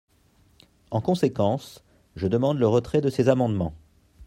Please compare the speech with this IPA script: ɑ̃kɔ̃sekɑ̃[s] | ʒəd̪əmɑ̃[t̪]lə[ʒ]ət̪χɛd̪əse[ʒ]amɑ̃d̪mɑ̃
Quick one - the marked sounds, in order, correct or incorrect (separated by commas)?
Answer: correct, incorrect, incorrect, incorrect